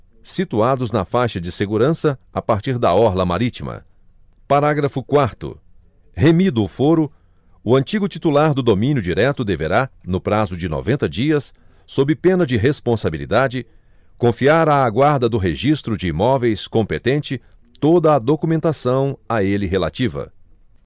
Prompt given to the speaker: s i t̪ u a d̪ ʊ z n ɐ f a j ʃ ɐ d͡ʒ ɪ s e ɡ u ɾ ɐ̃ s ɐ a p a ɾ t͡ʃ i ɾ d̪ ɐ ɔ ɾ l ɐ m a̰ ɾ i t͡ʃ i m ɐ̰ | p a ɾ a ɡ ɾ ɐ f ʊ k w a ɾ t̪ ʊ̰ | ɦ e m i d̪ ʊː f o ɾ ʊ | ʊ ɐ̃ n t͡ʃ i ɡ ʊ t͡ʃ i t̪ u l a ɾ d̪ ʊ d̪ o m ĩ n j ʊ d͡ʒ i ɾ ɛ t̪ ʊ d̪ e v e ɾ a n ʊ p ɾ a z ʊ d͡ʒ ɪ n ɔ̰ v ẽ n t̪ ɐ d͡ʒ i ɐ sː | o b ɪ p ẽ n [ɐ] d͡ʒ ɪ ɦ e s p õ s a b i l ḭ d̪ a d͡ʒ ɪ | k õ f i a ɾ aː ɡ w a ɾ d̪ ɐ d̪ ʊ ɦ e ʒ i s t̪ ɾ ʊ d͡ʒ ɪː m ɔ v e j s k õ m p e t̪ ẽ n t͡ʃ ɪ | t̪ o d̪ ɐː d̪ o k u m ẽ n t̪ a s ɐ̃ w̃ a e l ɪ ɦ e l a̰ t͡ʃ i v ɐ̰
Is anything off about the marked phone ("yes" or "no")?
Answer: no